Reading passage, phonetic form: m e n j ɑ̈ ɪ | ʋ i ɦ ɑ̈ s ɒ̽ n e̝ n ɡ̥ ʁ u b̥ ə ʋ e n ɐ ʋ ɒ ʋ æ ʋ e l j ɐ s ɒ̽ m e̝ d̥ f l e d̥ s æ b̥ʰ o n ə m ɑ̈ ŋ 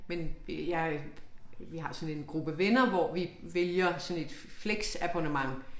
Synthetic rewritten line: m e n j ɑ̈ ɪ | ʋ i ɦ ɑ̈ s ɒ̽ n e̝ n ɡ̥ ʁ u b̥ ə ʋ e n ɐ ʋ ɒ ʋ i ʋ e l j ɐ s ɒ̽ n e̝ d̥ f l e ɡ̥ s æ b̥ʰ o n ə m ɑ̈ ŋ